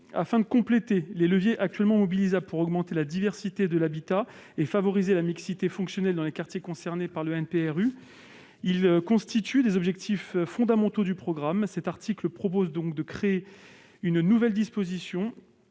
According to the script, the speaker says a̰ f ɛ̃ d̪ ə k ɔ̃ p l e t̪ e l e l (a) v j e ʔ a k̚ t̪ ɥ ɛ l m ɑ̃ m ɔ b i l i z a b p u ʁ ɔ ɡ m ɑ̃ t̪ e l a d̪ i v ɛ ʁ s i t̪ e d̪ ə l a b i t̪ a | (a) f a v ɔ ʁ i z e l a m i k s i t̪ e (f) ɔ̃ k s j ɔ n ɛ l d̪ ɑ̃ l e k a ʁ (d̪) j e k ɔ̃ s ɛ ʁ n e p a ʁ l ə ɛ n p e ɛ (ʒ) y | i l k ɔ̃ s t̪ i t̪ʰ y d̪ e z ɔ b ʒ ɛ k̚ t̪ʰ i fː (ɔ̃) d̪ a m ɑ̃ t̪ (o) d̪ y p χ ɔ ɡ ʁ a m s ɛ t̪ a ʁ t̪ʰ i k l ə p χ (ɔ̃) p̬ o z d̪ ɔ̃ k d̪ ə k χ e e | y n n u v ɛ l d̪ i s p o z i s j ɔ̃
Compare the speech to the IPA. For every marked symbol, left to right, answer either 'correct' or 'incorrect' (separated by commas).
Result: incorrect, incorrect, correct, incorrect, incorrect, correct, correct, incorrect